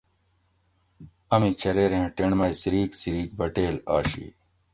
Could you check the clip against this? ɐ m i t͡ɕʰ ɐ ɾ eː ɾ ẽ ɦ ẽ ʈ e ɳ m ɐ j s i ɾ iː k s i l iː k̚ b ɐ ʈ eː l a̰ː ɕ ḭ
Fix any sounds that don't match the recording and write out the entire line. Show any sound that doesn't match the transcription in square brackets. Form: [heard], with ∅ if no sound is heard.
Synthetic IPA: ɐ m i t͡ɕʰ ɐ ɾ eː ɾ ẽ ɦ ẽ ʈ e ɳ m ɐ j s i ɾ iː k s i [ɾ] iː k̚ b ɐ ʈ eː l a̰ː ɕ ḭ